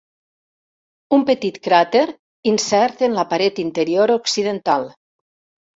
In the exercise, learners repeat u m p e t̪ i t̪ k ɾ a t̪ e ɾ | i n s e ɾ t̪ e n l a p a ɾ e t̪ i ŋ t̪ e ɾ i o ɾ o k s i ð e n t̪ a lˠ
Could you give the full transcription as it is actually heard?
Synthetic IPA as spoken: u m p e t̪ i t̪ k ɾ a t̪ e ɾ | i n s ɛ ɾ t̪ e n l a p a ɾ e t̪ i n t̪ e ɾ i o ɾ o k s i ð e n t̪ a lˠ

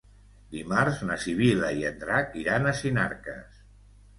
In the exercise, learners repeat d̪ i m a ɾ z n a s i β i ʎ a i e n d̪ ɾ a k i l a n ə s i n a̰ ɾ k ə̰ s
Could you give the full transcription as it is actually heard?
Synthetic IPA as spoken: d̪ i m a ɾ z n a s i β i l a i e n d̪ ɾ a k i ɾ a n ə s i n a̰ ɾ k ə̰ s

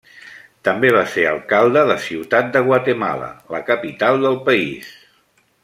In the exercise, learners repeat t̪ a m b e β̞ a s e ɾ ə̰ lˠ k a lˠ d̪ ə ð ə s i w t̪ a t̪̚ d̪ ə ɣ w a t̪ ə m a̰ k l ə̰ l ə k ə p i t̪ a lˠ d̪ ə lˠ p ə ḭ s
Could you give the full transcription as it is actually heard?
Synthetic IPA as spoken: t̪ ə m b e β̞ a s e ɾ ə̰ lˠ k a lˠ d̪ ə ð ə s i w t̪ a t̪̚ d̪ ə ɣ w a t̪ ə m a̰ l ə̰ l ə k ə p i t̪ a lˠ d̪ ə lˠ p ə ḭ s

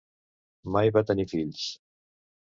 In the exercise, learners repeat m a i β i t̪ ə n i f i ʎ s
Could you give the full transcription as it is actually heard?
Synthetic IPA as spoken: m a j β a t̪ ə n i f i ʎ s

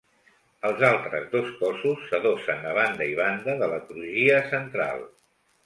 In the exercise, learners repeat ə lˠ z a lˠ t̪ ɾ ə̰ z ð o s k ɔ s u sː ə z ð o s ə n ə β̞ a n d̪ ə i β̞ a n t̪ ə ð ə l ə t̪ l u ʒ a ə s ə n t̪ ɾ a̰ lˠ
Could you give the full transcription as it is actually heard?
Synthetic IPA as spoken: ə lˠ z a lˠ t̪ ɾ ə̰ z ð o s k ɔ s u sː ə ð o s ə n ə β̞ a n d̪ ə i β̞ a n d̪ ə ð ə l ə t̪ ɾ u ʒ i ə s ə n t̪ ɾ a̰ lˠ

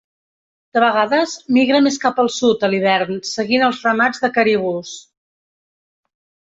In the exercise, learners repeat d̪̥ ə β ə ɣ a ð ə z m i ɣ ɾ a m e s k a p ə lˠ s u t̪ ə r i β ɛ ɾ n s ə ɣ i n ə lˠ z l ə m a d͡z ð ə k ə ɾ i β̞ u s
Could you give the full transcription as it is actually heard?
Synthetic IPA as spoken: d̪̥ ə β ə ɣ a ð ə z m i ɣ ɾ ə m e s k a p ə lˠ s u t̪ ə l i β ɛ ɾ n s ə ɣ i n ə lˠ z r ə m a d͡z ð ə k ə ɾ i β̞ u s

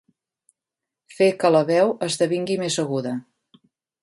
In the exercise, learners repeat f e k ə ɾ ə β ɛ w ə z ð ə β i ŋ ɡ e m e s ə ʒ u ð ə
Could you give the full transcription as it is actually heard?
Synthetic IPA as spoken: f e k ə l ə β ɛ w ə z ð ə β i ŋ ɡ i m e z ə ɣ u ð ə

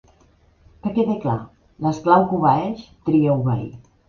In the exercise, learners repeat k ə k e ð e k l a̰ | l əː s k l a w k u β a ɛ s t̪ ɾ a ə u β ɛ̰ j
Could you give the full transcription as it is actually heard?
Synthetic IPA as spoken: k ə k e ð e k l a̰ | l ə s k l a w k u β a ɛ ʃ t̪ ɾ i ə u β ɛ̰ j

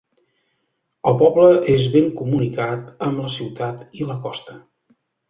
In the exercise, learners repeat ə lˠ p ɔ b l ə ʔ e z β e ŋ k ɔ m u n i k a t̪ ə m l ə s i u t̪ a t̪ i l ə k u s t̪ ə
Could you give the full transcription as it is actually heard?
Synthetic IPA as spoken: ə lˠ p ɔ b l ə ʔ e z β e ŋ k u m u n i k a t̪ ə m l ə s i w t̪ a t̪ i l ə k ɔ s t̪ ə

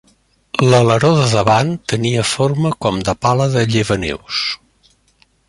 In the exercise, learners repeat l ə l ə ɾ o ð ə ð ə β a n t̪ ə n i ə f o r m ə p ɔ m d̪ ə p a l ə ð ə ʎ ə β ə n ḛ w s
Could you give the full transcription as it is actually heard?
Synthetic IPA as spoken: l ə l ə ɾ o ð ə ð ə β a n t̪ ə n i ə f o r m ə k ɔ m d̪ ə p a l ə ð ə ʎ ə β ə n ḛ w s

